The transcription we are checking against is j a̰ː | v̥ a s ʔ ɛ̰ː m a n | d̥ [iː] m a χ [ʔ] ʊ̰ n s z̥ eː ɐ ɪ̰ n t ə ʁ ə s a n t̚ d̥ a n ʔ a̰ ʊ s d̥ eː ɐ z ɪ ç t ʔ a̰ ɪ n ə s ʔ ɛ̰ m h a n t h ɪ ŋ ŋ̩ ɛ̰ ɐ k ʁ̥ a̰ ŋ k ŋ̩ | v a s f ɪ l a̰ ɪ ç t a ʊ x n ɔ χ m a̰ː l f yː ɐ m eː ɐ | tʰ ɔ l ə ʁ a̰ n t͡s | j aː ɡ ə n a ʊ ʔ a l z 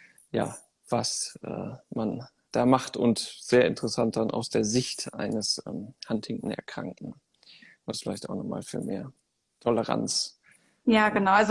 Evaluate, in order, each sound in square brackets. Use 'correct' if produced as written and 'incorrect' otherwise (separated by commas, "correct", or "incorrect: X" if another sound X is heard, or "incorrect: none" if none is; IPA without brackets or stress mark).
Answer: incorrect: aː, incorrect: t